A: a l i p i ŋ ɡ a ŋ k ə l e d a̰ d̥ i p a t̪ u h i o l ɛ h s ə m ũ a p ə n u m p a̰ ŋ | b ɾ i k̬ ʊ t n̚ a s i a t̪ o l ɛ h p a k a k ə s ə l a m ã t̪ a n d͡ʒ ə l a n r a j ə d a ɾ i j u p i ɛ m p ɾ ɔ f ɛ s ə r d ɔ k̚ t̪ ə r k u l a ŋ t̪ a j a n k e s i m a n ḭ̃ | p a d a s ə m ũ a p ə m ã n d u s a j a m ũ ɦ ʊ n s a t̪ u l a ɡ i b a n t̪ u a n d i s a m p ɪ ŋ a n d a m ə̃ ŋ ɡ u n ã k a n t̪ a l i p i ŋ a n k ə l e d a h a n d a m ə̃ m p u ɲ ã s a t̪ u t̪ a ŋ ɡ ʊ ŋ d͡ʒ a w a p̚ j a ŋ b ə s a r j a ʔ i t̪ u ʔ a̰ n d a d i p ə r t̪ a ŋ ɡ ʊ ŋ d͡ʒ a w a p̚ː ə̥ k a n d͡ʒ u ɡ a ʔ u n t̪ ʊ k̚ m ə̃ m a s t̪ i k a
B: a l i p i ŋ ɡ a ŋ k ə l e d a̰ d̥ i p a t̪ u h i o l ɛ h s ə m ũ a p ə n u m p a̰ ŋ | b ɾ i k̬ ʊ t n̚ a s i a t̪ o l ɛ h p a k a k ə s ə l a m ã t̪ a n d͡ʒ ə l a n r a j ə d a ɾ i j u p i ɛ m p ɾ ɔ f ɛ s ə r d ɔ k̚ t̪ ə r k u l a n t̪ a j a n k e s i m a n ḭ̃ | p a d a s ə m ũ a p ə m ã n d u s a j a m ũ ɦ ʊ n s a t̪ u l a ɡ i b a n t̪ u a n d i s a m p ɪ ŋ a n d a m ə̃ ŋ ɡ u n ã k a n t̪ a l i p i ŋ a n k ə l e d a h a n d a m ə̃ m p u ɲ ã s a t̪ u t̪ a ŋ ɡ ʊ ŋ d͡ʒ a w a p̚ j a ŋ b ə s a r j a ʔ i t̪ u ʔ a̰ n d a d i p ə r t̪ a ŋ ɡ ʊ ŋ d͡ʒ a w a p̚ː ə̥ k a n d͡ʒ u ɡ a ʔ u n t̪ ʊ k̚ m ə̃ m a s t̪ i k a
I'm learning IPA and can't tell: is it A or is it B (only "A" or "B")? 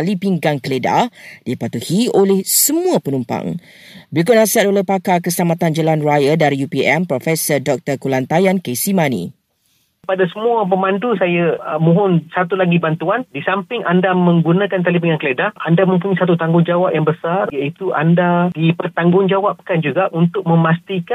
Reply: B